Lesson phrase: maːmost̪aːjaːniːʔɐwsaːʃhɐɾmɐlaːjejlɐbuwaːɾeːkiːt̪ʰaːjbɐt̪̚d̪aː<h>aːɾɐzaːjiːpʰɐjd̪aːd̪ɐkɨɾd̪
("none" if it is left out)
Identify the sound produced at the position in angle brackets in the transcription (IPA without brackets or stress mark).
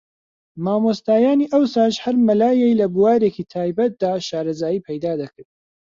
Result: ʃ